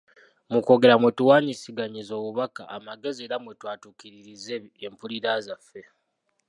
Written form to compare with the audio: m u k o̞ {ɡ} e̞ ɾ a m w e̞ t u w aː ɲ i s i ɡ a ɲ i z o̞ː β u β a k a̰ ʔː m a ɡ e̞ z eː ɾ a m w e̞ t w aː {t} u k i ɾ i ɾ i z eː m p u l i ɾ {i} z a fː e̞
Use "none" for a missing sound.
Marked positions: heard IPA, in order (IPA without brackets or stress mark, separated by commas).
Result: ɡ, t, a